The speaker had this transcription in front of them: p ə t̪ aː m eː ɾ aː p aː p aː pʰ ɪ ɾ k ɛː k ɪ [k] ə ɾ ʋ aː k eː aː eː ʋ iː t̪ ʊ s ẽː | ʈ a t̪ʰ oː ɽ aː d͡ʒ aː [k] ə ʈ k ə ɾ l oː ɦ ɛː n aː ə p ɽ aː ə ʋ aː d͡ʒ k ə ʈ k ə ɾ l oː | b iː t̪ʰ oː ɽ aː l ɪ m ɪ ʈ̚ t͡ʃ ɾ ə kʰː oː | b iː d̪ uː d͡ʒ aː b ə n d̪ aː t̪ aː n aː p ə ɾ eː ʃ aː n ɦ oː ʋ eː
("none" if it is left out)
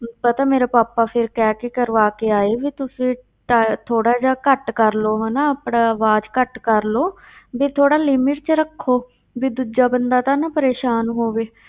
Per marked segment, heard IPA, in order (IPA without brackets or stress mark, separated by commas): k, k